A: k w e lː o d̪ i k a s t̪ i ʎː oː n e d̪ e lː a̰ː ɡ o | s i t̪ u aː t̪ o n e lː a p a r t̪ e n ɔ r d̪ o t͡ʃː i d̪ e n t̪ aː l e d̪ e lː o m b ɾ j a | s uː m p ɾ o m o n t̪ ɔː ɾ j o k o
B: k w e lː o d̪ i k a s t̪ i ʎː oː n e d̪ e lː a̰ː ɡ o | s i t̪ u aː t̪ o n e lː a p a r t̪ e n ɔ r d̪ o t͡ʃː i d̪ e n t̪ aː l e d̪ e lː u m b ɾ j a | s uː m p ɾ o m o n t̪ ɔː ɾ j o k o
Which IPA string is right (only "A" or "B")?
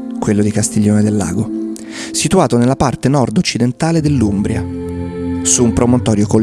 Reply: B